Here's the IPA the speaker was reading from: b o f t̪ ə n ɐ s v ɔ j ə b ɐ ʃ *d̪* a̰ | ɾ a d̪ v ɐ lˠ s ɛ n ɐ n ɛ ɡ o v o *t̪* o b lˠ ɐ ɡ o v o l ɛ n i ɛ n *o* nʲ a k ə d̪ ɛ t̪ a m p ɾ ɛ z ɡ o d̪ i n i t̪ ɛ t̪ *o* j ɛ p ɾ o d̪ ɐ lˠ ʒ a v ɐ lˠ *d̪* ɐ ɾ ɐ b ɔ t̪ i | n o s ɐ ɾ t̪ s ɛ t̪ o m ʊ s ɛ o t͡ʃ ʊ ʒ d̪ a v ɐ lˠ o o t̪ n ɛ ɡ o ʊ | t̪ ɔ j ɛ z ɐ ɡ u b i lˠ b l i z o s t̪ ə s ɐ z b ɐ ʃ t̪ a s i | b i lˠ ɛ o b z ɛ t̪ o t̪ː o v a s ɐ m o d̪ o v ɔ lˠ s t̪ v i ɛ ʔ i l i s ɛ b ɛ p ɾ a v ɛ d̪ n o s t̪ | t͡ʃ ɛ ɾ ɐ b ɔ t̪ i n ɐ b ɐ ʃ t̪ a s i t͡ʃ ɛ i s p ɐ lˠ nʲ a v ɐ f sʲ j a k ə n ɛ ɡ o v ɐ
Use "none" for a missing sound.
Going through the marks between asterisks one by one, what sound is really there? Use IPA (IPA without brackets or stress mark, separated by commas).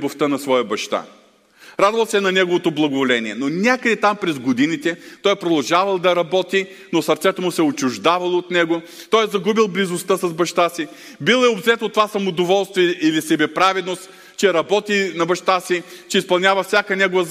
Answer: t̪, t̪, o, ɔ, d̪